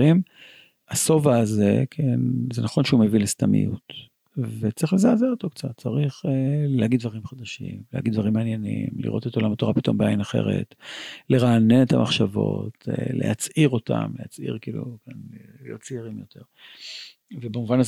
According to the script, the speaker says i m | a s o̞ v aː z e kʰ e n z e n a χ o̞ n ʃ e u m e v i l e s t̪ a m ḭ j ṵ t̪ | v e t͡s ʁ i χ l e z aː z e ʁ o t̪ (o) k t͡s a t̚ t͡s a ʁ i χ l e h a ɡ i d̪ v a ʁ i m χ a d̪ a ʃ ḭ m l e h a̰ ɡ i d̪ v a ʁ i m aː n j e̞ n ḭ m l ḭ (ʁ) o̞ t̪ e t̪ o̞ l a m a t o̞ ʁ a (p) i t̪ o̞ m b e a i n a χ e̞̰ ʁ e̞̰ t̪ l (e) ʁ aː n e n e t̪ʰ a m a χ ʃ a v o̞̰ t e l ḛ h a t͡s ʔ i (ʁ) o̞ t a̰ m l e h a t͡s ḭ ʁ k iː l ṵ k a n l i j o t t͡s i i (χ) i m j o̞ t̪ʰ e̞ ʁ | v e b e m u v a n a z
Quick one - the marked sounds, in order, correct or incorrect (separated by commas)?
correct, correct, correct, correct, correct, incorrect